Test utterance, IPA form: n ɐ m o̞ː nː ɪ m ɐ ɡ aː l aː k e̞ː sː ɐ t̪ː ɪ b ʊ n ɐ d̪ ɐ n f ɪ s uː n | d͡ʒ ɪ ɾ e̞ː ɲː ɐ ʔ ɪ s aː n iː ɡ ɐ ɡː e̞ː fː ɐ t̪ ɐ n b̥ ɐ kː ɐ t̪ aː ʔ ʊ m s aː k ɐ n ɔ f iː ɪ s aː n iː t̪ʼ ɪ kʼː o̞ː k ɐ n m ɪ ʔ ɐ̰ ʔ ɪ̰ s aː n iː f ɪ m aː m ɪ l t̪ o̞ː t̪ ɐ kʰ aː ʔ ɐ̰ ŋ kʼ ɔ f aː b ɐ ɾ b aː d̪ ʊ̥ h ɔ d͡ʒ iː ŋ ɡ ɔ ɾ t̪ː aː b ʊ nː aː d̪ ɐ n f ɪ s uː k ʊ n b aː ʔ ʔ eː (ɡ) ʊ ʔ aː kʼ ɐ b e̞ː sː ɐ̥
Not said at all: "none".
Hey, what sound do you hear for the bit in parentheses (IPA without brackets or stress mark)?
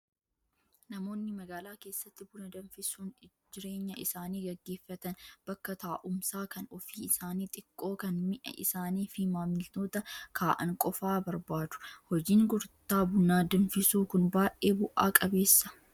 b